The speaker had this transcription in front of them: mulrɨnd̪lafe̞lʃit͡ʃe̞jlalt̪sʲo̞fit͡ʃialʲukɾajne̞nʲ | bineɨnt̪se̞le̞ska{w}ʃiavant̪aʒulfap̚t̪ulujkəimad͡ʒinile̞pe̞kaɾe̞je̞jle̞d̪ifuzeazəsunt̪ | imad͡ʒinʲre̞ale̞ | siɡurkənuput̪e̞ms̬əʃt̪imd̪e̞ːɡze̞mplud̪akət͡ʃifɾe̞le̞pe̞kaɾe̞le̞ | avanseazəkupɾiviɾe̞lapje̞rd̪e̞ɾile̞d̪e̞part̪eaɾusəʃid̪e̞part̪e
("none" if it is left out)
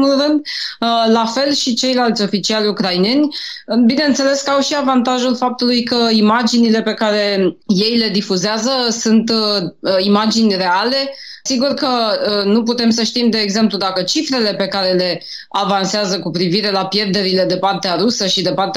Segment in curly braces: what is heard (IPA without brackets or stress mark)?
w